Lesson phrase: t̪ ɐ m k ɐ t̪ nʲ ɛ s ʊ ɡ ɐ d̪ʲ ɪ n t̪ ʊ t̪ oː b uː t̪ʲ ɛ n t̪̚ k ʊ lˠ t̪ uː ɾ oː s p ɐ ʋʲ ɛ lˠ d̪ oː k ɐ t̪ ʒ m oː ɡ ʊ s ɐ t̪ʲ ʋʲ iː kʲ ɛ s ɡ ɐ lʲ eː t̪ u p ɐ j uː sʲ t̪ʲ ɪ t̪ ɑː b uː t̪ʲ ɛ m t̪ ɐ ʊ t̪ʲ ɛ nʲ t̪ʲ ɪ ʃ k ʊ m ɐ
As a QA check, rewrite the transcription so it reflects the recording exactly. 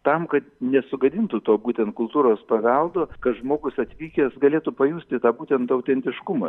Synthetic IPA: t̪ ɐ m k ɐ t̪ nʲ ɛ s ʊ ɡ ɐ d̪ʲ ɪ n t̪ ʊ t̪ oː b uː t̪ʲ ɛ n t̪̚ k ʊ lˠ t̪ uː ɾ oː s p ɐ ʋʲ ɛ lˠ d̪ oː k ɐ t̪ ʒ m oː ɡ ʊ s ɐ t̪ʲ ʋʲ iː kʲ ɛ s ɡ ɐ lʲ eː t̪ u p ɐ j uː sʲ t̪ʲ ɪ t̪ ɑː b uː t̪ʲ ɛ n t̪ ɐ ʊ t̪ʲ ɛ nʲ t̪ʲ ɪ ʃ k ʊ m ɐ